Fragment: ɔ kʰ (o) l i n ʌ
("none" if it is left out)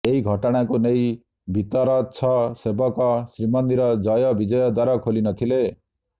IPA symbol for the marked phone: o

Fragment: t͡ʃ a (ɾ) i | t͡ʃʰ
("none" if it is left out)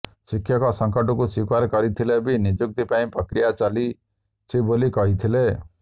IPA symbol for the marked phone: l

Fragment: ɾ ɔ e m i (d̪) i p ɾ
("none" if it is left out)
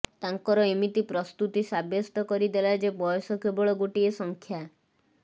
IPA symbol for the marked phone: t̪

